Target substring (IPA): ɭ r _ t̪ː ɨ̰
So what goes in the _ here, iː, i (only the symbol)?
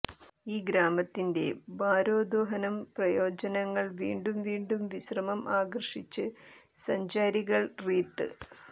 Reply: iː